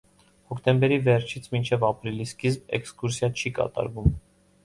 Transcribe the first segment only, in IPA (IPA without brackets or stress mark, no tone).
h